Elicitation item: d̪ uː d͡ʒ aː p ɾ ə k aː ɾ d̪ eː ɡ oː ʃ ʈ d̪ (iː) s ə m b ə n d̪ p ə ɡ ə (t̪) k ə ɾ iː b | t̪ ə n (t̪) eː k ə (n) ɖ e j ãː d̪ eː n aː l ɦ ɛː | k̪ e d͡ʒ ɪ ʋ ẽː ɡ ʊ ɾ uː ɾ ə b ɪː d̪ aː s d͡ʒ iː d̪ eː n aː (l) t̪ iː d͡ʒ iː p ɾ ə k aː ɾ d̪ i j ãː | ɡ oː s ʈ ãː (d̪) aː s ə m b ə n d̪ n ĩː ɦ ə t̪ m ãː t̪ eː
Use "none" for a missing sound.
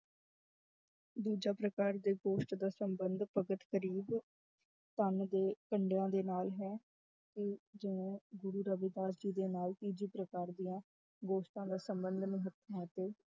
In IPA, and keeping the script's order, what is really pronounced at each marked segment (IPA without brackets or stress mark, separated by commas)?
aː, t̪, d̪, ɳ, l, d̪